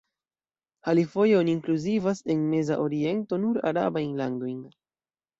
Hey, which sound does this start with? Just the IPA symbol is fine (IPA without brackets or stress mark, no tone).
h